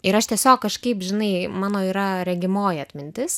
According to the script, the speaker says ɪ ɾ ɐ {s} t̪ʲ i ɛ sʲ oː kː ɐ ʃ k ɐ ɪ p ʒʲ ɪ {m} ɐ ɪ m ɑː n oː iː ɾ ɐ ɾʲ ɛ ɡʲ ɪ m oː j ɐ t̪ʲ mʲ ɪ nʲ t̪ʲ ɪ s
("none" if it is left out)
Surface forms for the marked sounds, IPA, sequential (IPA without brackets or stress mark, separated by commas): ʃ, n